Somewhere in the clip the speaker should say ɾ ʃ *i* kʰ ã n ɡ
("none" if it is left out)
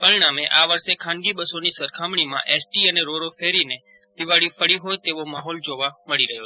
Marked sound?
e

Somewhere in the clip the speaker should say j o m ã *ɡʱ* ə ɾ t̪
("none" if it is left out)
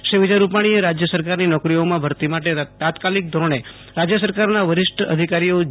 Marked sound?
bʱ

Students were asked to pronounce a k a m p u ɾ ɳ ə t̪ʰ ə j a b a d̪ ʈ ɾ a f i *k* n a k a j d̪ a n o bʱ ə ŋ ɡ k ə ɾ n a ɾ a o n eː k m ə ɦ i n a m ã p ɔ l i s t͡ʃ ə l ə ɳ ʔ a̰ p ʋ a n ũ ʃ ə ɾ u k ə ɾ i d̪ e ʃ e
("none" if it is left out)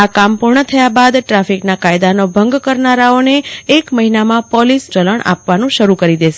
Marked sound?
k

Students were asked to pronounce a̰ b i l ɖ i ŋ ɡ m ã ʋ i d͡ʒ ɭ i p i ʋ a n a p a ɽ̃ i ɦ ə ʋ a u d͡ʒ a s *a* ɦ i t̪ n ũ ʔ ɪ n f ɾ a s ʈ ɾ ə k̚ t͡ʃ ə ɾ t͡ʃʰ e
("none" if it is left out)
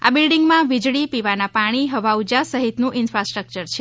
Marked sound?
ə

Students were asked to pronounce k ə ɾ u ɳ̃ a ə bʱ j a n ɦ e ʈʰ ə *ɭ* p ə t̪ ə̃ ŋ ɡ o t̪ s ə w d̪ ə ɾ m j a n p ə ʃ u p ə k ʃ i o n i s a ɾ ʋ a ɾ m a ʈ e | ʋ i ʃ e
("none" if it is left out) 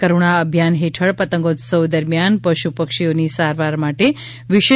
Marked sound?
ɭ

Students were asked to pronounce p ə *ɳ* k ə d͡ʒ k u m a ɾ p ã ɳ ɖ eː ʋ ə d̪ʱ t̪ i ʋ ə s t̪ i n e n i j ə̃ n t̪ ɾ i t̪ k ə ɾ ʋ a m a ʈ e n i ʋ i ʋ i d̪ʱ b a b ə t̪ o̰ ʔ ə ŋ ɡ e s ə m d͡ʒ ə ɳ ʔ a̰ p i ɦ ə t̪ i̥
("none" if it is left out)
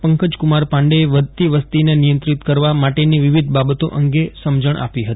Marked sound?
ŋ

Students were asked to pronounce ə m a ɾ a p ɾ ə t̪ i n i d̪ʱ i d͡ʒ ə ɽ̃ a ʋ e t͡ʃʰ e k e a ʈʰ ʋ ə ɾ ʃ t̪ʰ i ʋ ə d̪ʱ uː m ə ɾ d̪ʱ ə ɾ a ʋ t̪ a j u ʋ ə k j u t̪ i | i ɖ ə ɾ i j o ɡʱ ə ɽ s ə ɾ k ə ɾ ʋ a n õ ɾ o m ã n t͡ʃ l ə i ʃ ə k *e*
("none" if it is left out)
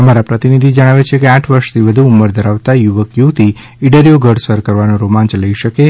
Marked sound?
e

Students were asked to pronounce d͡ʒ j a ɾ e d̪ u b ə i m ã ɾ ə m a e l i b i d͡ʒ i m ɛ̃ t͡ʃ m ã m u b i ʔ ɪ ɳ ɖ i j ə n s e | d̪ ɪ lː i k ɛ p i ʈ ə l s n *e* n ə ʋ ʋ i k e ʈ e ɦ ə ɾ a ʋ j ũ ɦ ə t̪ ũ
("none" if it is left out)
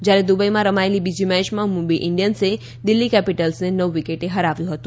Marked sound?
e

